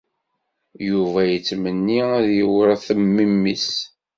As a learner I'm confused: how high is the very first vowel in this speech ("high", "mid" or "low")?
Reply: high